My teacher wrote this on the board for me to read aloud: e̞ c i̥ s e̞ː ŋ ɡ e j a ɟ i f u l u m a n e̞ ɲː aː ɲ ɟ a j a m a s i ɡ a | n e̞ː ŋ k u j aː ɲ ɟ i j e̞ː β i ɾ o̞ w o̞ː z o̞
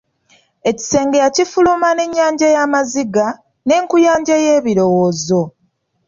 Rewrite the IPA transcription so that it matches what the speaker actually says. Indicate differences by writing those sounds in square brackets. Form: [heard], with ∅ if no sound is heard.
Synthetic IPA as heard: e̞ c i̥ s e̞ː ŋ ɡ e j a [c] i f u l u m a n e̞ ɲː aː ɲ ɟ a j a m a [z] i ɡ a | n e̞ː ŋ k u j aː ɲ ɟ [a] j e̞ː β i ɾ o̞ w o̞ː z o̞

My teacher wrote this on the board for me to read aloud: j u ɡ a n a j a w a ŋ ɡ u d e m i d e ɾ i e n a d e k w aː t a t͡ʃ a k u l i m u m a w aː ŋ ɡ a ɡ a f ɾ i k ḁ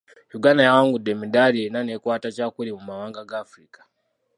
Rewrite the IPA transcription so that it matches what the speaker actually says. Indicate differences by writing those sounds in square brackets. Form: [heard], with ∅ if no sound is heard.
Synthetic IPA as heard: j u ɡ a n a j a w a ŋ ɡ u d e m i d [a] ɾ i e n a [n] e k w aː t a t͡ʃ a k u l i m u m a w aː ŋ ɡ a ɡ a f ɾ i k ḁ

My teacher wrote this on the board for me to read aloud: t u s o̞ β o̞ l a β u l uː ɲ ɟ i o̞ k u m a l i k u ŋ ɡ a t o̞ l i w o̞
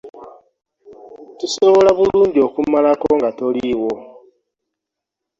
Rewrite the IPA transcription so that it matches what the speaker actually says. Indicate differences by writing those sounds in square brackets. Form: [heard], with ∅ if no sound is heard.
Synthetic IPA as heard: t u s o̞ β o̞ l a β u l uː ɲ ɟ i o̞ k u m a l [a] k [o] ŋ ɡ a t o̞ l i w o̞

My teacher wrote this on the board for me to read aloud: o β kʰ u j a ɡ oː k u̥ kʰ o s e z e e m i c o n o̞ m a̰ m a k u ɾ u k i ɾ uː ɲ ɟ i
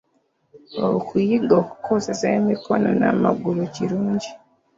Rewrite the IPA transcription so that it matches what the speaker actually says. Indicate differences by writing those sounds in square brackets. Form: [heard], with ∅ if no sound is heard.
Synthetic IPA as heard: o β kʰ u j [i] ɡ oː k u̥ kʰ o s e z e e m i [k] o n o̞ [n] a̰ m a [ɡ] u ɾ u [c] i ɾ uː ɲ ɟ i

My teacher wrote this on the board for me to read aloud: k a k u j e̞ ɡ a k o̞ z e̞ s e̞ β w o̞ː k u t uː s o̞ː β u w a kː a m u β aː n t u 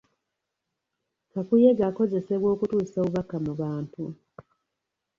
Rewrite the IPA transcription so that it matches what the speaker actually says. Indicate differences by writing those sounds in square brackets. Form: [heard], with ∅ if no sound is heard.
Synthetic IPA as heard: k a k u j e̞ ɡ a k o̞ z e̞ s e̞ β w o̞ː k u t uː s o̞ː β u [β] a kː a m u β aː n t u

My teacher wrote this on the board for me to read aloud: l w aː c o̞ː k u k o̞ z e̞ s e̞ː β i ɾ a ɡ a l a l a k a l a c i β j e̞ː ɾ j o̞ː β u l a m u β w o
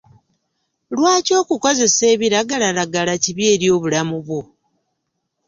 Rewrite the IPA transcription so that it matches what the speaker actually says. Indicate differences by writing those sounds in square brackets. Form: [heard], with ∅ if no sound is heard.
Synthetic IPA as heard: l w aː c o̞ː k u k o̞ z e̞ s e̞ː β i ɾ a ɡ a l a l a [ɡ] a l a c i β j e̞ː ɾ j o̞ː β u l a m u β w o

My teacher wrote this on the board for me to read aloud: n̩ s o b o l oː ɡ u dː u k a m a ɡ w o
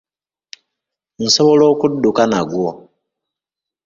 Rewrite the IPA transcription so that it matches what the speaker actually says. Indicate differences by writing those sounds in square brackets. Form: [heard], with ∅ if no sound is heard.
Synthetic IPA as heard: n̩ s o [β] o l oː [k] u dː u k a [n] a ɡ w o

